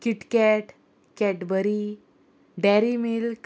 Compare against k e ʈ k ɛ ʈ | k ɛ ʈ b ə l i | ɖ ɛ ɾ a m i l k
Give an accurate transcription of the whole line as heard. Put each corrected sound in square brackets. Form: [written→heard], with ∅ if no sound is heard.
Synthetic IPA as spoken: k [e→i] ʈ k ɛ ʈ | k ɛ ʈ b ə [l→ɾ] i | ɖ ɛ ɾ [a→i] m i l k